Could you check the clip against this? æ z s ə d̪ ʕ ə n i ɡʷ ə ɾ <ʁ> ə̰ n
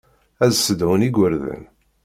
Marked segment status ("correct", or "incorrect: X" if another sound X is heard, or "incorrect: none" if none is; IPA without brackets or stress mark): incorrect: ð